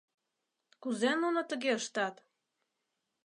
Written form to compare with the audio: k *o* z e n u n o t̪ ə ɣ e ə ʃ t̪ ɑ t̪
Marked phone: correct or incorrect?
incorrect: u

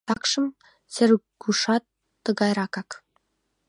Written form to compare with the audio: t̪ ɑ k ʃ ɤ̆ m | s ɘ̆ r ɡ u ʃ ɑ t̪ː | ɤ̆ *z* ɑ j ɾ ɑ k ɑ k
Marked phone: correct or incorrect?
incorrect: ɣ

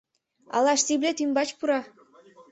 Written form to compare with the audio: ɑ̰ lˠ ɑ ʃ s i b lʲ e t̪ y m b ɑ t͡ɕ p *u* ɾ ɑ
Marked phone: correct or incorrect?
correct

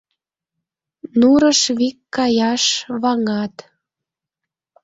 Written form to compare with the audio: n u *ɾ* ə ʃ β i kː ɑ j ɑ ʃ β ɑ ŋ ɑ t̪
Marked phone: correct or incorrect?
correct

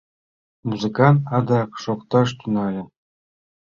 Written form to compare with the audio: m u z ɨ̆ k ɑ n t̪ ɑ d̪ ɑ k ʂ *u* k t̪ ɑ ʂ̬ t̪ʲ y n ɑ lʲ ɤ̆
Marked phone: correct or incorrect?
incorrect: o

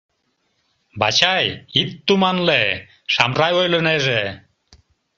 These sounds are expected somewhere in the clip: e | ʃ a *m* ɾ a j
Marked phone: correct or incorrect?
correct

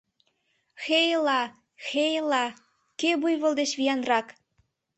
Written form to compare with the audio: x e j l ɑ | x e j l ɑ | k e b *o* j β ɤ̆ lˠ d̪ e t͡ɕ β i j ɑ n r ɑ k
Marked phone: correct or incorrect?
incorrect: u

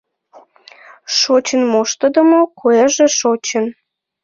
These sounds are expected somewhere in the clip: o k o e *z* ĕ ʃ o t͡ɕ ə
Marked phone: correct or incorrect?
incorrect: ʒ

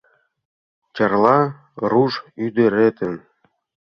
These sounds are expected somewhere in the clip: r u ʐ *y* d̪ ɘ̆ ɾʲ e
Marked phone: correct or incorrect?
correct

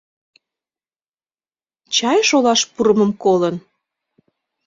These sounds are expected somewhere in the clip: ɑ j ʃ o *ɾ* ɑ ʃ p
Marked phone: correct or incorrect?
incorrect: l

